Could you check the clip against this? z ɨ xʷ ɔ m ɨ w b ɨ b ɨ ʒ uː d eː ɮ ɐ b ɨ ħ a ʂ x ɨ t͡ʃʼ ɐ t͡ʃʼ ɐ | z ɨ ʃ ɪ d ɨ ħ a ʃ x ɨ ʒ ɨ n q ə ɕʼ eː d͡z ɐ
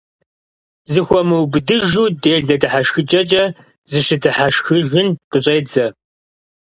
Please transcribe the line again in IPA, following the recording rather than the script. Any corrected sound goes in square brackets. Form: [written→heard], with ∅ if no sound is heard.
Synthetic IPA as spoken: z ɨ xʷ ɔ m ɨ w b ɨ [b→d] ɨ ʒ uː d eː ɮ ɐ [b→d] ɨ ħ a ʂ x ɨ t͡ʃʼ ɐ t͡ʃʼ ɐ | z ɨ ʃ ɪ d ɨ ħ a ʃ x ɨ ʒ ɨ n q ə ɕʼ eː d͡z ɐ